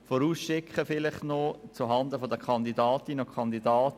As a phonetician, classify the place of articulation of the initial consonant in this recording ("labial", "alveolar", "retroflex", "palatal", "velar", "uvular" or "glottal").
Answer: labial